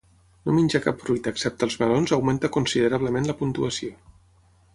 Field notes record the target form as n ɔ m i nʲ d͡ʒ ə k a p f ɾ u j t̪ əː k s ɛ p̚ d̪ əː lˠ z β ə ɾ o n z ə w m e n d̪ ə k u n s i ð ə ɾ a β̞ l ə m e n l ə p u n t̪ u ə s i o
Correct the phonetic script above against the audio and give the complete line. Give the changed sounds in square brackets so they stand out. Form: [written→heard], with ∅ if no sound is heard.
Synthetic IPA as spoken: n [ɔ→o] m i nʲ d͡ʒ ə k a p f ɾ u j t̪ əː k s ɛ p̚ [d̪→t̪] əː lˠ z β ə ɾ o n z ə w m e n [d̪→t̪] ə k u n s i ð ə ɾ a β̞ l ə m e n l ə p u n t̪ u ə s i o